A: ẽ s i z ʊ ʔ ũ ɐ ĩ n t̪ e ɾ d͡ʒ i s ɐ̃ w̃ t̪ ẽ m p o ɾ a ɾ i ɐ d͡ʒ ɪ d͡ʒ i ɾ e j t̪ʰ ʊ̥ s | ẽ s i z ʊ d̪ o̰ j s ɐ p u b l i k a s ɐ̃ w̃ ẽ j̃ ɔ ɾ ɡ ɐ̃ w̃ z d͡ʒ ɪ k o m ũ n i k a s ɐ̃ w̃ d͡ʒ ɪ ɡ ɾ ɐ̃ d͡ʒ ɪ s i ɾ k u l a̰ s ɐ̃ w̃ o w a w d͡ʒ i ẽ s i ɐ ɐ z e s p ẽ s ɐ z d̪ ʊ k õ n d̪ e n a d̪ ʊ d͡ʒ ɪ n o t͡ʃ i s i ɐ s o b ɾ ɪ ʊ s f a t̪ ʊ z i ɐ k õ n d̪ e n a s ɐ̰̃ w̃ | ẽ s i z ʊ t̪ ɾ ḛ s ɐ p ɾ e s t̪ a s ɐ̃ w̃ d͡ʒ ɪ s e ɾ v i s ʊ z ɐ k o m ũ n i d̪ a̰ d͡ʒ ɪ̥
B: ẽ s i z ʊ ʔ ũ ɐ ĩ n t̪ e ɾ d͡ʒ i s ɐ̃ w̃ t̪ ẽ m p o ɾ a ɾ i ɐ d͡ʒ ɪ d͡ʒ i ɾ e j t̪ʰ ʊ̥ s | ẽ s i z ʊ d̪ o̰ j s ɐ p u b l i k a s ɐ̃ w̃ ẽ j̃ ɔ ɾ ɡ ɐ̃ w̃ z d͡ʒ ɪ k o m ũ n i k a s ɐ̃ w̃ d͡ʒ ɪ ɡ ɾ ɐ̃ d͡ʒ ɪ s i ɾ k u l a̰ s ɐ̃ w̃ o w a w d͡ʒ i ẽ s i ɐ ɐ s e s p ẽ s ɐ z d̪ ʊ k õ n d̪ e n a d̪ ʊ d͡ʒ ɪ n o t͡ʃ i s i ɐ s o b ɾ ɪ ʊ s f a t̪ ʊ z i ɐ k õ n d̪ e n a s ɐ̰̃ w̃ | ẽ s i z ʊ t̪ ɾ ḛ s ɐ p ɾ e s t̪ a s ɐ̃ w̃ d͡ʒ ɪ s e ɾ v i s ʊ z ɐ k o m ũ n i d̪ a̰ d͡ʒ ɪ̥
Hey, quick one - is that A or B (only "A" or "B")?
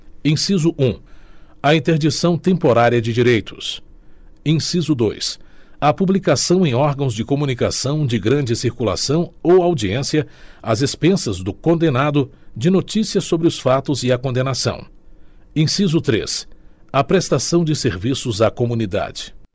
A